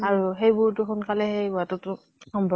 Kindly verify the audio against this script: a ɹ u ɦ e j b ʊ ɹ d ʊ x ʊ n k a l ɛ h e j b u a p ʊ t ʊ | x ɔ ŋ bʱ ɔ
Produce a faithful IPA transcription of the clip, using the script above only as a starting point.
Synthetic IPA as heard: a ɹ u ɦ e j b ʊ ɹ t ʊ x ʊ n k a l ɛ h e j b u a t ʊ t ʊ | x ɔ m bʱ ɔ

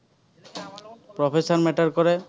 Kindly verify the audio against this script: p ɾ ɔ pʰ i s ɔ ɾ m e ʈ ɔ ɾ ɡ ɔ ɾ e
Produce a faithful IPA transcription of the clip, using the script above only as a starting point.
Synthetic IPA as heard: p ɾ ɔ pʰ e s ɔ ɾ m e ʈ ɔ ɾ k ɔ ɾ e

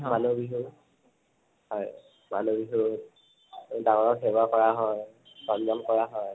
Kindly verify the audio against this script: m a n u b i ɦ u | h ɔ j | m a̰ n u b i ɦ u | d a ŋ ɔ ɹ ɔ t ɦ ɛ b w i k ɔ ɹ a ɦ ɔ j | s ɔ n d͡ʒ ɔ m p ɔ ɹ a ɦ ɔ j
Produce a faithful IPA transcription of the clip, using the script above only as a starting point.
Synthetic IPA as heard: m a n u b i ɦ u | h ɔ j | m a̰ n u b i ɦ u | d a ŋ ɔ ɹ ɔ k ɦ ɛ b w a k ɔ ɹ a ɦ ɔ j | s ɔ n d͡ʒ ɔ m k ɔ ɹ a ɦ ɔ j

